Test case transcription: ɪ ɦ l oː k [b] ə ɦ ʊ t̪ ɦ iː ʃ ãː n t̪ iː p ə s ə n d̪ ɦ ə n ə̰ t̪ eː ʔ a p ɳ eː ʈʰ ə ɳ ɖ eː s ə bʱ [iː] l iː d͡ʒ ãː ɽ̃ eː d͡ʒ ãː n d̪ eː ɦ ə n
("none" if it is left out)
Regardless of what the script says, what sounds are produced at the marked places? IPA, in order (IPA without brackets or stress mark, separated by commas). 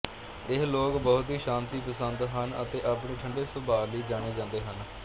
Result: b, aː